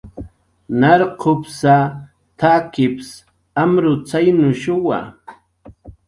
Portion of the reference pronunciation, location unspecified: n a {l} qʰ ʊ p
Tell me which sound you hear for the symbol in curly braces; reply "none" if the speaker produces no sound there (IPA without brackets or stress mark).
ɾ